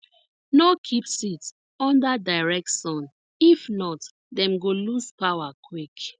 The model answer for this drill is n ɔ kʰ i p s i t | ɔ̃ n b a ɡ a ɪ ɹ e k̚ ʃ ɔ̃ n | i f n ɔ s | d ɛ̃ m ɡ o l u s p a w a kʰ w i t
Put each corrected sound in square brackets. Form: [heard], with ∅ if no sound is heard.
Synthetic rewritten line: n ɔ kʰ i p s i t | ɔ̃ n [d] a [d] a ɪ ɹ [ɛ] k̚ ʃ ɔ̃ n | i f n ɔ [t] | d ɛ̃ m ɡ o l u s p a w a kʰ w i [k]

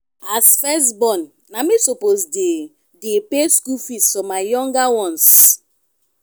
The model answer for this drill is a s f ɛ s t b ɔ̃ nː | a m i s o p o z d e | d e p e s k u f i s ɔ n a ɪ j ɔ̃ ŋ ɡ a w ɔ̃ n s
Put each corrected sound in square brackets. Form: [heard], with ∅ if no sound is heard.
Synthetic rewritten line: a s f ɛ s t b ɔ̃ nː | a m i s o p o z d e | d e p e s k u f i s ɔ [m] a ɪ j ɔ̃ ŋ ɡ a w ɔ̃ n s

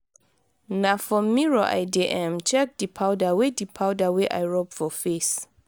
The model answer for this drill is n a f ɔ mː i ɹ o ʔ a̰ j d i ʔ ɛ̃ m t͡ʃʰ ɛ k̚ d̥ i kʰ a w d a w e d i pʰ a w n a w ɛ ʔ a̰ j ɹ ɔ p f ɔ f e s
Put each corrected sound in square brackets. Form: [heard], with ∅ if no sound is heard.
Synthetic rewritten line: n a f ɔ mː i ɹ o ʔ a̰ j d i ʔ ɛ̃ m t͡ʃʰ ɛ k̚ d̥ i [pʰ] a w d a w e d i pʰ a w [d] a w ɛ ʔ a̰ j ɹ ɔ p f ɔ f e s

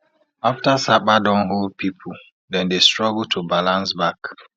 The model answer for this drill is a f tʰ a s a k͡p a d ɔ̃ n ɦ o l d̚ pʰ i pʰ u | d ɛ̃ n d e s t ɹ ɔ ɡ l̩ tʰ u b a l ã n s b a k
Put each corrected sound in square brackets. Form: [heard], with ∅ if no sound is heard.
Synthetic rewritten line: a f [t] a s a k͡p a d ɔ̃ n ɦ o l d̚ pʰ i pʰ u | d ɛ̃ n d e s t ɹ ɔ ɡ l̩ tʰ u b a l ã n s b a k

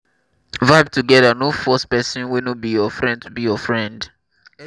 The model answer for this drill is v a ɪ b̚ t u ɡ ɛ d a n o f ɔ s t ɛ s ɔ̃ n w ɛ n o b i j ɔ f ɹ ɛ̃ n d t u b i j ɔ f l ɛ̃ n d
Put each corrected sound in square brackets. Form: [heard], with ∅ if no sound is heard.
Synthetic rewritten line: v a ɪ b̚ t u ɡ ɛ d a n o f ɔ s [p] ɛ s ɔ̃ n w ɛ n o b i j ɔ f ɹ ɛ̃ n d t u b i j ɔ f [ɹ] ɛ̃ n d

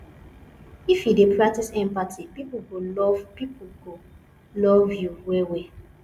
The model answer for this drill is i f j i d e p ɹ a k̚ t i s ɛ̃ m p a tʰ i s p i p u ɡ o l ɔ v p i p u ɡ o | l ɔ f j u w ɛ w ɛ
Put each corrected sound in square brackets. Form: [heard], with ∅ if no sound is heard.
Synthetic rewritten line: i f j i d e p ɹ a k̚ t i s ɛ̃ m p a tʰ i [∅] p i p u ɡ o l ɔ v p i p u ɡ o | l ɔ [v] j u w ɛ w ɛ

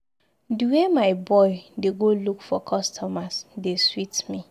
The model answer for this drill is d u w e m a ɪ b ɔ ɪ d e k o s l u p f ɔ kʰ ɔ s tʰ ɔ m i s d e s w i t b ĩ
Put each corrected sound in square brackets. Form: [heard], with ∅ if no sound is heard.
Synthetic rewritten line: d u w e m a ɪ b ɔ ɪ d e [ɡ] o [∅] l u [k] f ɔ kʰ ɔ s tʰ ɔ m [a] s d e s w i t [m] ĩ

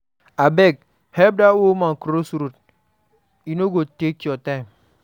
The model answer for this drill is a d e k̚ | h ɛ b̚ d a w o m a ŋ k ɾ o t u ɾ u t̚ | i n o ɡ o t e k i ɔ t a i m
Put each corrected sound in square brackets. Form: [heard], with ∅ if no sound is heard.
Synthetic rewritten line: a [b] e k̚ | h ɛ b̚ d a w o m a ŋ k ɾ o [s] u ɾ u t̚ | i n o ɡ o t e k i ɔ t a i m

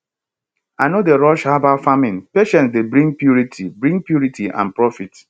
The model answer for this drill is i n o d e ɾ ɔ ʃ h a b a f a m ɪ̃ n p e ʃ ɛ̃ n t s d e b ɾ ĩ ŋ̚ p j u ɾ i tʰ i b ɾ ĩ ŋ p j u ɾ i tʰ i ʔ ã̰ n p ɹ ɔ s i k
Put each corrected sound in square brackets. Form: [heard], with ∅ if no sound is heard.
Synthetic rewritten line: [a] n o d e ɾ ɔ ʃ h a b a f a m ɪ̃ n p e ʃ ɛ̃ n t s d e b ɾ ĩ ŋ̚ p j u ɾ i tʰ i b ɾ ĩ ŋ p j u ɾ i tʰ i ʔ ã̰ n p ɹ ɔ [f] i [t]

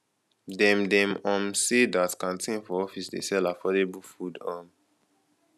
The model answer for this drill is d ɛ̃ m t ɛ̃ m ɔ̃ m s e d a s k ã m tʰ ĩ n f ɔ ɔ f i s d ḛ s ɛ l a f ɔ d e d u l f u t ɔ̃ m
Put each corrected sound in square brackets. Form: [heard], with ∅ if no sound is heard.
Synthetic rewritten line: d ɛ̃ m [d] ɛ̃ m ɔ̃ m s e d a [t] k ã [n] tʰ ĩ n f ɔ ɔ f i s d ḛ s ɛ l a f ɔ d e [b] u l f u [d] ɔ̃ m

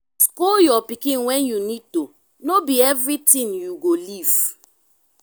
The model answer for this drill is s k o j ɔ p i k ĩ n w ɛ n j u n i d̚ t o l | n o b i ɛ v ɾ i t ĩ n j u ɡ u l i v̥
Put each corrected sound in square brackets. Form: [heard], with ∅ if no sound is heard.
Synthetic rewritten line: s k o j ɔ p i k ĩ n w ɛ n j u n i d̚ t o [∅] | n o b i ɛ v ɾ i t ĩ n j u ɡ [o] l i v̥

